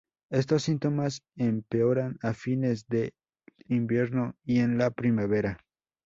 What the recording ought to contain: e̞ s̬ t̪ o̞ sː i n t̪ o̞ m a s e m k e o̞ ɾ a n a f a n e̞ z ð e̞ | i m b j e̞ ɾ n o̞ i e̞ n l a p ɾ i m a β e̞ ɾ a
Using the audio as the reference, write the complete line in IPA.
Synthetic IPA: e̞ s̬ t̪ o̞ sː i n t̪ o̞ m a s e m p e o̞ ɾ a n a f i n e̞ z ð e̞ | i m b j e̞ ɾ n o̞ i e̞ n l a p ɾ i m a β e̞ ɾ a